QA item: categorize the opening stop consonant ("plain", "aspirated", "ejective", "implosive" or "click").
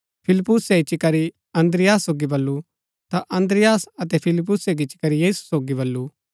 aspirated